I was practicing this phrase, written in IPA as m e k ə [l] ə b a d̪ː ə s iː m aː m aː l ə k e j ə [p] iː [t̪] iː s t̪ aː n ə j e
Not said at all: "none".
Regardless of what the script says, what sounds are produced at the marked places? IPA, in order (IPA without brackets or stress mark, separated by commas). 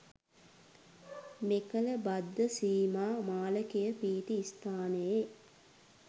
l, p, t̪